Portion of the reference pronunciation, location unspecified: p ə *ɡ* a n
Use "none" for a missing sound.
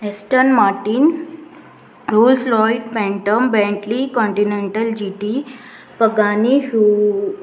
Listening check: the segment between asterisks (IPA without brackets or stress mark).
ɡ